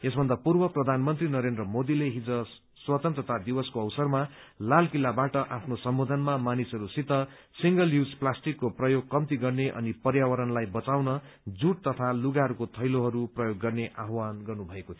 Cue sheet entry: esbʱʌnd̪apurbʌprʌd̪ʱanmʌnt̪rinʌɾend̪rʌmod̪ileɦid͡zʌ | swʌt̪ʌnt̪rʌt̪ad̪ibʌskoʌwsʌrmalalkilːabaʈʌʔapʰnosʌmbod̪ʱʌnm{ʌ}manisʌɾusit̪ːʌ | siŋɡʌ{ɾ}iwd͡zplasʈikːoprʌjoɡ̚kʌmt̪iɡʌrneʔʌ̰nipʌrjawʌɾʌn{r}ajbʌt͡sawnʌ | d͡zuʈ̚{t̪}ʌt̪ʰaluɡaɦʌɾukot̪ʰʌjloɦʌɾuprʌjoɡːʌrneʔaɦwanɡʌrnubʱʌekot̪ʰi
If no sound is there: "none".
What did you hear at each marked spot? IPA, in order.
a, l, l, t̪

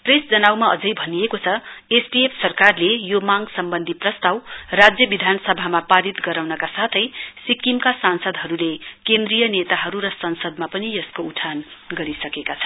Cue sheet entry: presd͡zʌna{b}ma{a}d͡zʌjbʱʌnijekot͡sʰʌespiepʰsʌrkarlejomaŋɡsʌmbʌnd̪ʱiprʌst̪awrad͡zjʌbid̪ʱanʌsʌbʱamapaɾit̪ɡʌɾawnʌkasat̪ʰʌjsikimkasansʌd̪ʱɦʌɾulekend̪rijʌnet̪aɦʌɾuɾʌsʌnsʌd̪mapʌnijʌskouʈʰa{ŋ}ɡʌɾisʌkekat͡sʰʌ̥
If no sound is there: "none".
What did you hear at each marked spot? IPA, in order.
w, ʌ, n

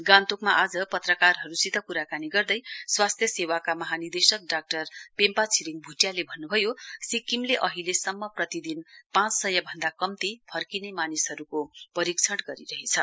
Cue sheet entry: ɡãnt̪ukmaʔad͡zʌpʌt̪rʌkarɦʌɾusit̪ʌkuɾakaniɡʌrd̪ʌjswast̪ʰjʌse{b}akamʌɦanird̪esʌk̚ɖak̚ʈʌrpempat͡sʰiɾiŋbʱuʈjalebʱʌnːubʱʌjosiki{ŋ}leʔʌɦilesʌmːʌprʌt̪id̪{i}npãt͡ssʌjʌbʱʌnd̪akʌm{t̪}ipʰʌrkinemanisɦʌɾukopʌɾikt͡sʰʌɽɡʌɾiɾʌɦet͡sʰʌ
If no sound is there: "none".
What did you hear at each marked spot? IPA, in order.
w, m, i, t̪

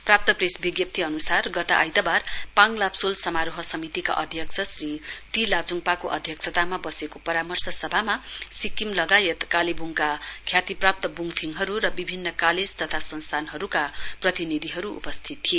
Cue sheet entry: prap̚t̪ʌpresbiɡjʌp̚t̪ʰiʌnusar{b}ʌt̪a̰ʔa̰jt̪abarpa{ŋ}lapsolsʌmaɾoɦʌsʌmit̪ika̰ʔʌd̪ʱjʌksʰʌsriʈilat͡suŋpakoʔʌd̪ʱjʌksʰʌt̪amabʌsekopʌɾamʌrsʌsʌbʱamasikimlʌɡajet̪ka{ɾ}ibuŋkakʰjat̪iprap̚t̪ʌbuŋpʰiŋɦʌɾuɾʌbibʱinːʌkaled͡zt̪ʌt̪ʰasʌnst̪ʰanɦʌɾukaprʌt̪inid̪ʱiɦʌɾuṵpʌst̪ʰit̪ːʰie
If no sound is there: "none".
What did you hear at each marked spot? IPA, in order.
ɡ, ŋ, l

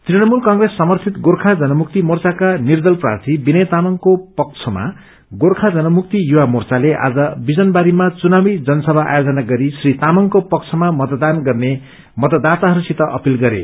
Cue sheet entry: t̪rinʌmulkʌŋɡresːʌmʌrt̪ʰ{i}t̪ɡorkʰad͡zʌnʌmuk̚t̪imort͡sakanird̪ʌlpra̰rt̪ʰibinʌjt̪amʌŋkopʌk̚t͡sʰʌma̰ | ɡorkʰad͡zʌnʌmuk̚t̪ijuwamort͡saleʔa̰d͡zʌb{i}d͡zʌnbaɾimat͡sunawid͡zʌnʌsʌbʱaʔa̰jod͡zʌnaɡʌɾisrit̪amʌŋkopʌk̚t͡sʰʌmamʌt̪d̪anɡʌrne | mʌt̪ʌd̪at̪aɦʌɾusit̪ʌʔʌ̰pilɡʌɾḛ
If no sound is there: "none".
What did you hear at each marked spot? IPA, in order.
i, i

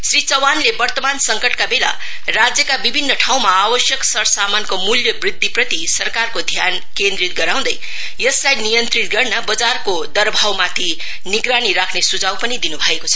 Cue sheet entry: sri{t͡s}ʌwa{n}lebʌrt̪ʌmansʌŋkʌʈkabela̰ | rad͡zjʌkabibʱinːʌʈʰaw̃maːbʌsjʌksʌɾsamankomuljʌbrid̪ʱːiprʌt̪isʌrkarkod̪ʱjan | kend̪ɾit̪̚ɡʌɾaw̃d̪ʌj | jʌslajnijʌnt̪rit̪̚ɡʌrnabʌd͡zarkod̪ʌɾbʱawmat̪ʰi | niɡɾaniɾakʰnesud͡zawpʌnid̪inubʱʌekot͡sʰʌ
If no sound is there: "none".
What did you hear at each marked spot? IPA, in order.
t͡s, n

